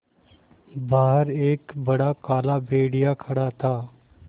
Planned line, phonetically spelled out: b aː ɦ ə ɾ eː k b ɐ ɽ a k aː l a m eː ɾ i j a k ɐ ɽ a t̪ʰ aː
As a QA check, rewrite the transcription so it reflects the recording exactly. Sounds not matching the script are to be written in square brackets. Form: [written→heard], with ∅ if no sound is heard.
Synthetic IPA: b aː ɦ ə ɾ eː k b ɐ ɽ a k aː l a [m→b] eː [ɾ→ɽ] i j a [k→kʰ] ɐ ɽ a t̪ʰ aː

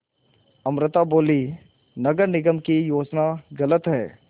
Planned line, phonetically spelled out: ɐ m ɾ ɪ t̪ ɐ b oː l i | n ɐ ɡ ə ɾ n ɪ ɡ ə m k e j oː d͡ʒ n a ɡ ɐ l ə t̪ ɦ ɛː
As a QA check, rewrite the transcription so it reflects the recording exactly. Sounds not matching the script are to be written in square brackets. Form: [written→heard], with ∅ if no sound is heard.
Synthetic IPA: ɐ m ɾ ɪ t̪ [ɐ→a] b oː l i | n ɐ ɡ ə ɾ n ɪ ɡ ə m k [e→i] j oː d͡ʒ n a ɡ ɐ l ə t̪ ɦ ɛː

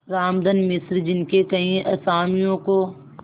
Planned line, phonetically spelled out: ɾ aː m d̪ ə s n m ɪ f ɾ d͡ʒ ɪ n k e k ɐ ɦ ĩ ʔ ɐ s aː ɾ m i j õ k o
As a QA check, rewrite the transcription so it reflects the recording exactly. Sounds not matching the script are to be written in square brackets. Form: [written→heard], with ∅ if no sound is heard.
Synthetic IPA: ɾ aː m d̪ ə [s→∅] n m ɪ [f→s] ɾ d͡ʒ ɪ n k e k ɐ ɦ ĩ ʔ ɐ s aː [ɾ→∅] m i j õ k o

